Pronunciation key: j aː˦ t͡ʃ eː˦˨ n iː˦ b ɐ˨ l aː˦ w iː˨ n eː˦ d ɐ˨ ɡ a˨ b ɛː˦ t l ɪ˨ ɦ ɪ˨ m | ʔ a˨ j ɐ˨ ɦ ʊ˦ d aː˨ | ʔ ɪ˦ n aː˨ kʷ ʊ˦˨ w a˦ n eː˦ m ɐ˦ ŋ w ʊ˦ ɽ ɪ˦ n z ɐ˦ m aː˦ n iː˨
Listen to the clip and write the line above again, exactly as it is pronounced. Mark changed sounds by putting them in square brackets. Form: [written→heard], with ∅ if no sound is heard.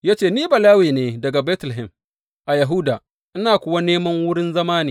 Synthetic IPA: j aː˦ t͡ʃ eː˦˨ n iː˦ b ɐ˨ l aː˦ w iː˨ n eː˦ d ɐ˨ ɡ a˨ b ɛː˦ t l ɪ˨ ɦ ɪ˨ m | ʔ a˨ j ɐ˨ ɦ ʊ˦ d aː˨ | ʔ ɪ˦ n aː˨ kʷ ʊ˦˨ w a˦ n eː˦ m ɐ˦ ŋ w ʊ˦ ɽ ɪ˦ n z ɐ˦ m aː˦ n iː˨